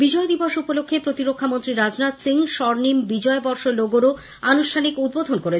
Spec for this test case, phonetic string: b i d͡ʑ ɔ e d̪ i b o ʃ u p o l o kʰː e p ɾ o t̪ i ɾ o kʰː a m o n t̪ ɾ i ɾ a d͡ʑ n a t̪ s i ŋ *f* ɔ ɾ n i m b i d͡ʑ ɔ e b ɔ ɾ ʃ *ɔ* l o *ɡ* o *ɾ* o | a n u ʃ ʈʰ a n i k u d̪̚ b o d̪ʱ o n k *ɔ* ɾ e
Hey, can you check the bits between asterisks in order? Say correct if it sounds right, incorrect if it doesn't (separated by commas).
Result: incorrect, incorrect, correct, correct, incorrect